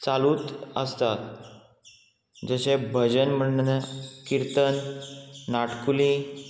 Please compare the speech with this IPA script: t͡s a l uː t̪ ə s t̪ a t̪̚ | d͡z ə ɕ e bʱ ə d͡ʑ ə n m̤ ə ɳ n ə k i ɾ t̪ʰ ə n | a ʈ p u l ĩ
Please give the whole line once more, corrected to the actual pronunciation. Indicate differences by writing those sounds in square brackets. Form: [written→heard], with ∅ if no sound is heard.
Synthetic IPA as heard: t͡s a l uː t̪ ə s t̪ a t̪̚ | d͡z ə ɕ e bʱ ə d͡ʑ ə n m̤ ə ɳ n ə k i ɾ [t̪ʰ→t̪] ə [n→nː] | a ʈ [p→k] u l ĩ